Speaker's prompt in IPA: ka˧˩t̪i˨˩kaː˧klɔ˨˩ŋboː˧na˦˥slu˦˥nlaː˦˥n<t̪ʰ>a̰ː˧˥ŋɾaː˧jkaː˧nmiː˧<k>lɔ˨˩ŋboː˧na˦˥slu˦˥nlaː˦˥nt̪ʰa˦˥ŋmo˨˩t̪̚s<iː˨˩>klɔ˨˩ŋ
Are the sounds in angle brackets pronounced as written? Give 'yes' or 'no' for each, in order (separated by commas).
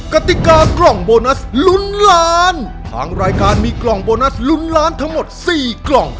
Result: yes, yes, yes